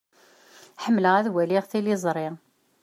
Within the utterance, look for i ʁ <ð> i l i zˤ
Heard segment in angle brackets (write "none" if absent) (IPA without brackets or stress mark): θ